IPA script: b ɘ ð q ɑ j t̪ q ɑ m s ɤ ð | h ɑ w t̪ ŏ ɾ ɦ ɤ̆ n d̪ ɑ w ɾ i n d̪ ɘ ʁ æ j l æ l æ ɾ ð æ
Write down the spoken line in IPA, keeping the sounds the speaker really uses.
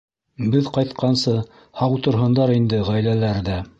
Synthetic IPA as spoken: b ɘ ð q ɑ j t̪ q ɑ n s ɤ | h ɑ w t̪ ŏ ɾ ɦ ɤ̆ n d̪ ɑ ɾ i n d̪ ɘ ʁ æ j l æ l æ ɾ ð æ